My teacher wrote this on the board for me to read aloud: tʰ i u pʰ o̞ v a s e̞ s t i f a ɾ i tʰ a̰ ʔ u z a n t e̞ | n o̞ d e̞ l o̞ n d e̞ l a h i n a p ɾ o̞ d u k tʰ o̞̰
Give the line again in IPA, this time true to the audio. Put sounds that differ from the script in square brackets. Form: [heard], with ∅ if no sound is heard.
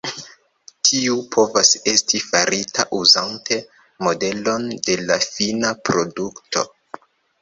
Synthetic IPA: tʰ i u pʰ o̞ v a s e̞ s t i f a ɾ i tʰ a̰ ʔ u z a n t e̞ | [m] o̞ d e̞ l o̞ n d e̞ l a [f] i n a p ɾ o̞ d u k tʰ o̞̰

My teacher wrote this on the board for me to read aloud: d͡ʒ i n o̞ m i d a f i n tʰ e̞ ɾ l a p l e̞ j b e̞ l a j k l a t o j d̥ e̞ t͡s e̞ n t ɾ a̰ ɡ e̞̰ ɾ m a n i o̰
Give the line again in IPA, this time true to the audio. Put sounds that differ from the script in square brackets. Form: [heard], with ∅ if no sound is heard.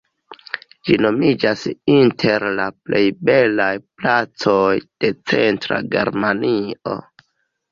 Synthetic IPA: d͡ʒ i n o̞ m i [d͡ʒ] a [s] i n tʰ e̞ ɾ l a p l e̞ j b e̞ l a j [p] l a [t͡s] o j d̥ e̞ t͡s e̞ n t ɾ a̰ ɡ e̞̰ ɾ m a n i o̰

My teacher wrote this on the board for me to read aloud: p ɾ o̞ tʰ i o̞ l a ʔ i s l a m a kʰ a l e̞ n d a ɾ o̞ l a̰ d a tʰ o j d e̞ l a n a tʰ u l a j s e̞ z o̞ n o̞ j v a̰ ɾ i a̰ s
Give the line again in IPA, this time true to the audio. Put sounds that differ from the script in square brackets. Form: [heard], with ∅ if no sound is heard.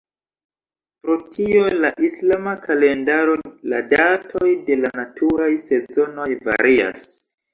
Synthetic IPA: p ɾ o̞ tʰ i o̞ l a ʔ i s l a m a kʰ a l e̞ n d a ɾ o̞ l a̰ d a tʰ o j d e̞ l a n a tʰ u [ɾ] a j s e̞ z o̞ n o̞ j v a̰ ɾ i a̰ s

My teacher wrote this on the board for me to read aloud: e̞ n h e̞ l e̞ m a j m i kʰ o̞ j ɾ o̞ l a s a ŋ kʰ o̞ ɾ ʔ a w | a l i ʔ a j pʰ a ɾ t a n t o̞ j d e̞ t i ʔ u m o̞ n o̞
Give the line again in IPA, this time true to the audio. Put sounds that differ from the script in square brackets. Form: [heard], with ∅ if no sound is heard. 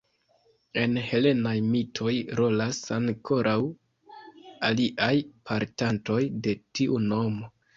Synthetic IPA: e̞ n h e̞ l e̞ [n] a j m i [tʰ] o̞ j ɾ o̞ l a s a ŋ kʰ o̞ ɾ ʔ a w | a l i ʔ a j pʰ a ɾ t a n t o̞ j d e̞ t i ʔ u [n] o̞ [m] o̞

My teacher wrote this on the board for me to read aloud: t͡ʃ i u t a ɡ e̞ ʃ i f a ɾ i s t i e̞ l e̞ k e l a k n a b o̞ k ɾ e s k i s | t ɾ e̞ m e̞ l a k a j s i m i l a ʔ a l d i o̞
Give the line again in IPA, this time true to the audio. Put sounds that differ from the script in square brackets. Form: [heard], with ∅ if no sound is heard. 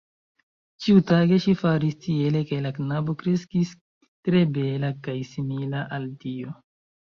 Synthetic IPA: t͡ʃ i u t a ɡ e̞ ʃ i f a ɾ i s t i e̞ l e̞ k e l a k n a b o̞ k ɾ e s k i s | t ɾ e̞ [b] e̞ l a k a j s i m i l a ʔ a l d i o̞

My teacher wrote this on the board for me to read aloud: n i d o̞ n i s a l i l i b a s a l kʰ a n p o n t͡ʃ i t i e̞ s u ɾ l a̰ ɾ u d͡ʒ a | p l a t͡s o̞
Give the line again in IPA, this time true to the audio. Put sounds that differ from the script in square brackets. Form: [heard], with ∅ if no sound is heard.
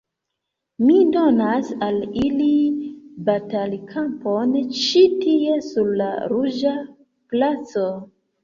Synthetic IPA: [m] i d o̞ n [a] s a l i l i b a [t] a l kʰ a [m] p o n t͡ʃ i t i e̞ s u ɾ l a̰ ɾ u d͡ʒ a | p l a t͡s o̞

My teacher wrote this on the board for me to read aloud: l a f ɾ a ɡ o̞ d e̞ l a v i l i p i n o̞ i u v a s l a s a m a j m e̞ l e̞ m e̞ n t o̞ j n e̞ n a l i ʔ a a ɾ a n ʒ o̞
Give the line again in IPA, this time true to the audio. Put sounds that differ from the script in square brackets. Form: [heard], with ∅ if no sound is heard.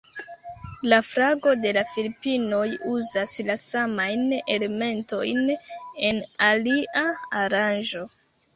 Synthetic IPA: l a f ɾ a ɡ o̞ d e̞ l a [f] i l i p i n o̞ [j] u [z] a s l a s a m a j [n] e̞ l e̞ m e̞ n t o̞ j n e̞ n a l i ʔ a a ɾ a n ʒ o̞

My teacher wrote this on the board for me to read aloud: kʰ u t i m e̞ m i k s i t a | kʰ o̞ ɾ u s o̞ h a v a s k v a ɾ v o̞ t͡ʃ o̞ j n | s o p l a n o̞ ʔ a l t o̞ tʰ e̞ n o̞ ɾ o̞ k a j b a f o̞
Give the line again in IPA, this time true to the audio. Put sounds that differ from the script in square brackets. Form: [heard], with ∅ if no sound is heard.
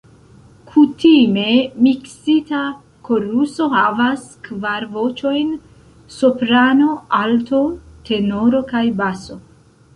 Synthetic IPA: kʰ u t i m e̞ m i k s i t a | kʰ o̞ ɾ u s o̞ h a v a s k v a ɾ v o̞ t͡ʃ o̞ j n | s o p [ɾ] a n o̞ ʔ a l t o̞ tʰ e̞ n o̞ ɾ o̞ k a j b a [s] o̞

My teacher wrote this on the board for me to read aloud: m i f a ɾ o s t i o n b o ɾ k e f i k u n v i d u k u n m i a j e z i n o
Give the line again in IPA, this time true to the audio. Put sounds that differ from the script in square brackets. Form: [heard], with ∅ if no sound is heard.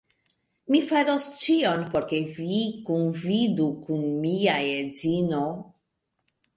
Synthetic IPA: m i f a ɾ o s [t͡ʃ] i o n [p] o ɾ k e [v] i k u n v i d u k u n m i a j e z i n o

